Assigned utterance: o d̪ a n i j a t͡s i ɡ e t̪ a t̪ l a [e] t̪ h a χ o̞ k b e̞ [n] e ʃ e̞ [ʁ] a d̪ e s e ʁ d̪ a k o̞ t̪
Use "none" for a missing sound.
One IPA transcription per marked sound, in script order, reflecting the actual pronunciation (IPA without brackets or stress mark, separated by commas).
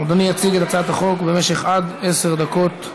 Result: a, m, χ